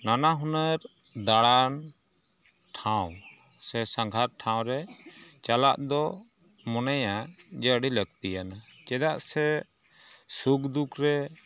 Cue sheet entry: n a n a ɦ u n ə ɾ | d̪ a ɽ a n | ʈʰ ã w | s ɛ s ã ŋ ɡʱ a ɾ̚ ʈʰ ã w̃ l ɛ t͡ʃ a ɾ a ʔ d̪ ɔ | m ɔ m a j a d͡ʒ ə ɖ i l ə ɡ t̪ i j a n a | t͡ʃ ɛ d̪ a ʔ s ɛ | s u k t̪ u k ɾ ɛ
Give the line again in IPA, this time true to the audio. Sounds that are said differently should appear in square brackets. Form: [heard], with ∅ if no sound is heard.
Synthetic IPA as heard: n a n a ɦ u n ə ɾ | d̪ a ɽ a n | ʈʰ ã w | s ɛ s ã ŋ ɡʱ a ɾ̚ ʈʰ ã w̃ [ɾ] ɛ t͡ʃ a [l] a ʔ d̪ ɔ | m ɔ [n] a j a d͡ʒ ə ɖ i l ə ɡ t̪ i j a n a | t͡ʃ ɛ d̪ a ʔ s ɛ | s u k [d̪] u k ɾ ɛ